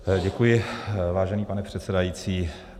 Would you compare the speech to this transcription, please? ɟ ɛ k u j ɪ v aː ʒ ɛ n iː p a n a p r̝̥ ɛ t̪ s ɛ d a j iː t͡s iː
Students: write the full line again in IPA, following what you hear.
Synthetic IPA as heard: ɟ ɛ k u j ɪ v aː ʒ ɛ n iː p a n ɛ p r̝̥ ɛ t̪ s ɛ d a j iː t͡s iː